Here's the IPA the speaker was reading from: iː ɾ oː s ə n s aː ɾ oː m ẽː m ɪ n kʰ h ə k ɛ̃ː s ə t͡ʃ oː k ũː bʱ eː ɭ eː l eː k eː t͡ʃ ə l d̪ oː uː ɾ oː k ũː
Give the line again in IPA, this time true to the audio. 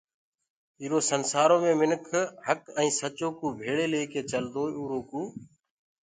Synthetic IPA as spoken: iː ɾ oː s ə n s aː ɾ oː m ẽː m ɪ n kʰ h ə k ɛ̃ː s ə t͡ʃ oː k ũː bʱ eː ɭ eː l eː k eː t͡ʃ ə l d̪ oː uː ɾ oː k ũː